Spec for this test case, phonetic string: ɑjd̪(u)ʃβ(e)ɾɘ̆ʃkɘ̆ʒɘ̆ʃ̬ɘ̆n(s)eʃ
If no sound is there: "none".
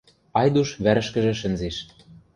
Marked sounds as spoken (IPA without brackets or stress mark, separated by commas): u, æ, z